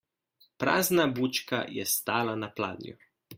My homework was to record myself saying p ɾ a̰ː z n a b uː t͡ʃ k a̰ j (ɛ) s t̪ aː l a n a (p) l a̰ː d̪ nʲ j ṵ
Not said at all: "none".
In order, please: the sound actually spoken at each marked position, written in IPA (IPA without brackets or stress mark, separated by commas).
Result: ɛ, p